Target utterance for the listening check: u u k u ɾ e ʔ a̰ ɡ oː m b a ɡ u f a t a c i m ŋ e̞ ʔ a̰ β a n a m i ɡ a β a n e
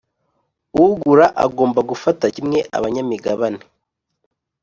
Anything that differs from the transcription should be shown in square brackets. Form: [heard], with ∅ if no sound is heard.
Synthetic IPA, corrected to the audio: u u [ɡ] u ɾ [a] ʔ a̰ ɡ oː m b a ɡ u f a t a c i m ŋ e̞ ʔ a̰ β a [ɲ] a m i ɡ a β a n e